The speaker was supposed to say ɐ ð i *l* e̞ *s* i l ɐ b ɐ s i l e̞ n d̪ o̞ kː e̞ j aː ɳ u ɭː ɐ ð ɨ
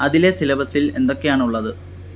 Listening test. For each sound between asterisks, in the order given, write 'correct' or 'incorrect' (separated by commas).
correct, correct